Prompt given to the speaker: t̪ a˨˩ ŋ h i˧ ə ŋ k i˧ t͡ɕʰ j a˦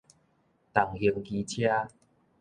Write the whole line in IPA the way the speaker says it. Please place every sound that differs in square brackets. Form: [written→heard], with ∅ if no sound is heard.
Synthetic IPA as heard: t̪ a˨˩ ŋ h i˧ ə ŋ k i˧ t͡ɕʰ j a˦